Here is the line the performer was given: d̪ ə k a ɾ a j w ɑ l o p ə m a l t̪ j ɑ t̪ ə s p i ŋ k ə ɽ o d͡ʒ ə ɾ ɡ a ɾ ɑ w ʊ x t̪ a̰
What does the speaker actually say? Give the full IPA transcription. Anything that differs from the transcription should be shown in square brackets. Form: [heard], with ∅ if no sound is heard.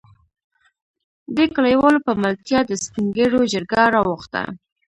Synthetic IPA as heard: d̪ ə k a [l] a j w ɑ l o p ə m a l t̪ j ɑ [d̪] ə s p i ŋ [ɡ] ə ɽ o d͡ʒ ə ɾ ɡ a ɾ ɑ w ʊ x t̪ a̰